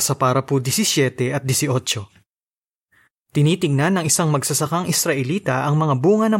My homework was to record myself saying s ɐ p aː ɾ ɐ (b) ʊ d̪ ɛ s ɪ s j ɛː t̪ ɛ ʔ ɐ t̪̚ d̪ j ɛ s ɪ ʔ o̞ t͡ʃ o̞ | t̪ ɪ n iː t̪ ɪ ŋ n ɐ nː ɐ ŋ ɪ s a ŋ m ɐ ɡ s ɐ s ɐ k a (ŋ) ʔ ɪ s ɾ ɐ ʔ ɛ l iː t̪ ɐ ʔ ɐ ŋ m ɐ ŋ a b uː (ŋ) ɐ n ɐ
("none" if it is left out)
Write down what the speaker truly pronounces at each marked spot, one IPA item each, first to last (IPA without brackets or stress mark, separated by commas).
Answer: p, ŋ, ŋ